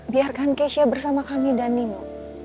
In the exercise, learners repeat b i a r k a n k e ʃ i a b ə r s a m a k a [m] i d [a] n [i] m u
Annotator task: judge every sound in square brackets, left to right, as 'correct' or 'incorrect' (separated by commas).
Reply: correct, correct, correct